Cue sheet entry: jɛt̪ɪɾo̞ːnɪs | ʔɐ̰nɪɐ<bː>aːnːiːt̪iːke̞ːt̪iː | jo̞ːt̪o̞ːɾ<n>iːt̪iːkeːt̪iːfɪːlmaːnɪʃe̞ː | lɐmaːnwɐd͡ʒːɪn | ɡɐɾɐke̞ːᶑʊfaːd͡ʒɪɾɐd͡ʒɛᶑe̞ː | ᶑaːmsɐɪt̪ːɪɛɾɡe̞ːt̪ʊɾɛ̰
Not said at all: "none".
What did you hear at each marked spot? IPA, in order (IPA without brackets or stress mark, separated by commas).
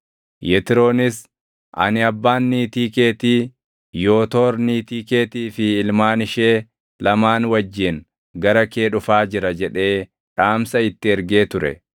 bː, n